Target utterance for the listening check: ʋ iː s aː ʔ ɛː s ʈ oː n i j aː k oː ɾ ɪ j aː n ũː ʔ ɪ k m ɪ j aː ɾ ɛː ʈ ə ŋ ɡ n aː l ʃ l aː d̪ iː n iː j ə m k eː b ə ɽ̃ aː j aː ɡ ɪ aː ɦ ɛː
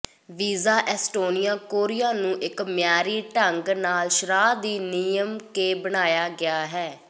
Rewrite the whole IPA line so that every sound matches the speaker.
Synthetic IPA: ʋ iː z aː ʔ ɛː s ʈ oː n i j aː k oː ɾ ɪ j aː n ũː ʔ ɪ k m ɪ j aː ɾ iː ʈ ə ŋ ɡ n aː l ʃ ɾ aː d̪ iː n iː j ə m k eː b ə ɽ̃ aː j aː ɡ ɪ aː ɦ ɛː